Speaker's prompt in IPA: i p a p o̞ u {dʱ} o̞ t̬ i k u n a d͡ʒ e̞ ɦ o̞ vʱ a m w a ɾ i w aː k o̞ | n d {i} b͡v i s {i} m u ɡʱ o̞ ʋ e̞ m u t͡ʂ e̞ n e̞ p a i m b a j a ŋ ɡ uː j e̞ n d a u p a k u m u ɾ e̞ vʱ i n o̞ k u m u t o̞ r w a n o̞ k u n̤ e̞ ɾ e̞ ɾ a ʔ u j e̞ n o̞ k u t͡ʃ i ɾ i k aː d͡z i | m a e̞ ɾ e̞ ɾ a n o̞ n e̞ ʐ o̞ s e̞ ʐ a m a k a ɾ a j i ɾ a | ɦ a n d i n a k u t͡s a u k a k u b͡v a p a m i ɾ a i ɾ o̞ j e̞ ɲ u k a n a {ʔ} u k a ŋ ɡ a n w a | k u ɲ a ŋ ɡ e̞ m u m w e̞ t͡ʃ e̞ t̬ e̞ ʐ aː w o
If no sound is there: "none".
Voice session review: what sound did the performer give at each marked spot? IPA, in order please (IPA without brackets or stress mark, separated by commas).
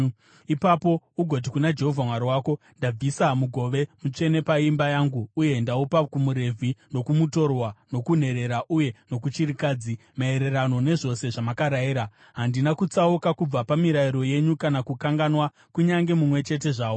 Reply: ɡʱ, a, a, k